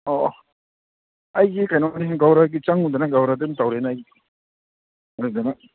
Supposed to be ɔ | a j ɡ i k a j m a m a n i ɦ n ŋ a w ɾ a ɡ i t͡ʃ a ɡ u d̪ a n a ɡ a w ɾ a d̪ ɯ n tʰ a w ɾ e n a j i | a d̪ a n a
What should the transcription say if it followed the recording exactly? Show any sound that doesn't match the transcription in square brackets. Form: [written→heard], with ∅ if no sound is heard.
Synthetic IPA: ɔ | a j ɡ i k a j [m→n] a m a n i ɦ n [ŋ→ɡ] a w ɾ a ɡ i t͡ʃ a [ɡ→ŋ] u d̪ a n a ɡ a w ɾ a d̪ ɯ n [tʰ→t] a w ɾ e n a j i | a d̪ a n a